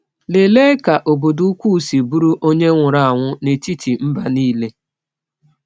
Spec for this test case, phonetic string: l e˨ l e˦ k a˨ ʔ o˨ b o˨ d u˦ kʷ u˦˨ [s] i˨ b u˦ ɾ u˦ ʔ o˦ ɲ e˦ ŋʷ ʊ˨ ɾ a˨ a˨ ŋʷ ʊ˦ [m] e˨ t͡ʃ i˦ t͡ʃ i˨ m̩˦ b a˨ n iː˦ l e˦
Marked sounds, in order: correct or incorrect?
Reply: correct, incorrect: n

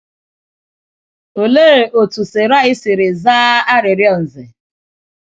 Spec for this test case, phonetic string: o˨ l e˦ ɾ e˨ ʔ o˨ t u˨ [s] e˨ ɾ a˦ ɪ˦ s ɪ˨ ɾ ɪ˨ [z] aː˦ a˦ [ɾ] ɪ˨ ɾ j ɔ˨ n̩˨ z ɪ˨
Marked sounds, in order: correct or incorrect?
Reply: correct, correct, correct

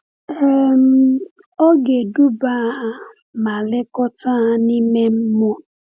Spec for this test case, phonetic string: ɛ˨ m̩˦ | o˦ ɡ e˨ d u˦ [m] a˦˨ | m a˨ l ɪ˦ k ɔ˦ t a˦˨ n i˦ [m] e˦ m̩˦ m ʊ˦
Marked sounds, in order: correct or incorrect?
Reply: incorrect: b, correct

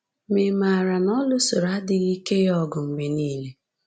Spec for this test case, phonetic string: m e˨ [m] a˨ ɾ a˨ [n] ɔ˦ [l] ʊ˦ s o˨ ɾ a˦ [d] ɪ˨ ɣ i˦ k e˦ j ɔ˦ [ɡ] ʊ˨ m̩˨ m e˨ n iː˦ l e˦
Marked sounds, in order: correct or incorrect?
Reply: correct, correct, correct, correct, correct

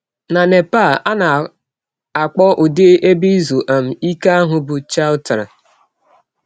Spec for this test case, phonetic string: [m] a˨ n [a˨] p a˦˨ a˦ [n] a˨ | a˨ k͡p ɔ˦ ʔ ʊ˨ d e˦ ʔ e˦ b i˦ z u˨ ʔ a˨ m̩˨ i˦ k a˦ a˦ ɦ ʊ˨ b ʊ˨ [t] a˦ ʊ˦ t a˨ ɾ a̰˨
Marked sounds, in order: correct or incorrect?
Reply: incorrect: n, incorrect: e˨, correct, incorrect: t͡ʃ

